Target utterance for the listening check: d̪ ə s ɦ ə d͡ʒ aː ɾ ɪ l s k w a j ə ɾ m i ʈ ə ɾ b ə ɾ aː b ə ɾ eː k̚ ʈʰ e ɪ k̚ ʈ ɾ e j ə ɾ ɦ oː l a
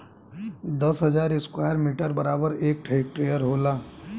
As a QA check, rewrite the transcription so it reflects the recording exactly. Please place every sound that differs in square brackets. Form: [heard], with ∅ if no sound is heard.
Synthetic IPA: d̪ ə s ɦ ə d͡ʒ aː ɾ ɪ [∅] s k w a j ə ɾ m i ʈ ə ɾ b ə ɾ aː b ə ɾ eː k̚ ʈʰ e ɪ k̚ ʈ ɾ e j ə ɾ ɦ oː l a